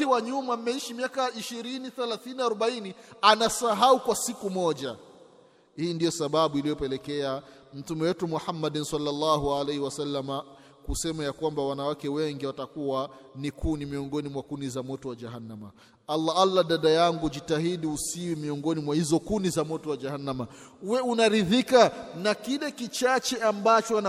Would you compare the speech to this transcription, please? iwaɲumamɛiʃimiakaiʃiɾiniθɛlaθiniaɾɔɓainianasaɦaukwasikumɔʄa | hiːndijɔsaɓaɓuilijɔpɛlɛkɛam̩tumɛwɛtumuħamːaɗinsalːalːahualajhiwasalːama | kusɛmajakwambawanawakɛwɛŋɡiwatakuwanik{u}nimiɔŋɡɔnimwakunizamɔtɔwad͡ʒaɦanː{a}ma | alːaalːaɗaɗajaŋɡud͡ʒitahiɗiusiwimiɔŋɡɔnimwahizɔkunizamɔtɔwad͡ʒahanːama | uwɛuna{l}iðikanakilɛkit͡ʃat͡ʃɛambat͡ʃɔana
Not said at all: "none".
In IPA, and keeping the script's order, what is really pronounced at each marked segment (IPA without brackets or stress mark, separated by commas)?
u, a, ɾ